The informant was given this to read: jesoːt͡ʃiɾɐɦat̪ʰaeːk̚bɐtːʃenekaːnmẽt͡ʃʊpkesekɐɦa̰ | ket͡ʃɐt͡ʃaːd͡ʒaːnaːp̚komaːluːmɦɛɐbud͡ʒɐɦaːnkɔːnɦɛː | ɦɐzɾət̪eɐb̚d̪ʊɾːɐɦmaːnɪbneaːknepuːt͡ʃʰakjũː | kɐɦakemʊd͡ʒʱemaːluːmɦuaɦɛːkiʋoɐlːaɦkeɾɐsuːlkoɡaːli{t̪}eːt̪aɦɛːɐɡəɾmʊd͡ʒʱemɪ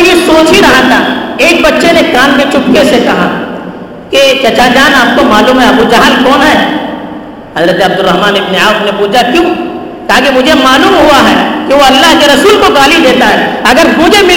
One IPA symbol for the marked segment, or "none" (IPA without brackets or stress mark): d̪